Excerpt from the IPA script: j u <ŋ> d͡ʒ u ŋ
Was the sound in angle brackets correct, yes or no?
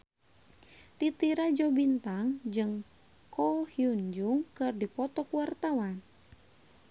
no